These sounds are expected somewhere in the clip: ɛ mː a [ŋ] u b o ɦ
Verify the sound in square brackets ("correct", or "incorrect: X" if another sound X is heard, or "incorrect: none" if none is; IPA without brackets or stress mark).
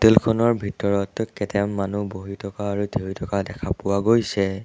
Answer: incorrect: n